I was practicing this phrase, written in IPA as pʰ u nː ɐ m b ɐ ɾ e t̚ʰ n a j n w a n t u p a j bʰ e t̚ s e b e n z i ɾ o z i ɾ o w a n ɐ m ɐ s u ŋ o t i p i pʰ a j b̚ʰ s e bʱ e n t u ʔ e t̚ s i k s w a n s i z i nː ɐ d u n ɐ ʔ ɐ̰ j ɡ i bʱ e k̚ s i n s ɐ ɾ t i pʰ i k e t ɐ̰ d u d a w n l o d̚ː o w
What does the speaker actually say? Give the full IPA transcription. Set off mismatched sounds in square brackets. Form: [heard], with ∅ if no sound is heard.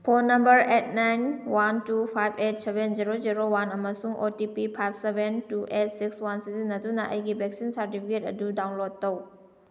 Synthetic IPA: pʰ [o] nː ɐ m b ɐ ɾ e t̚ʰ n a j n w a n t u [pʰ] a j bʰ e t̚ s e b e n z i ɾ o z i ɾ o w a n ɐ m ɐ s u ŋ o t i p i pʰ a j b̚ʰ s e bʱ e n t u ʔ e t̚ s i k s w a n s i z i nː ɐ d u n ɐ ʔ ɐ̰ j ɡ i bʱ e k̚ s i n s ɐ ɾ t i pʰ i k e t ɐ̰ d u d a w n l o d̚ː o w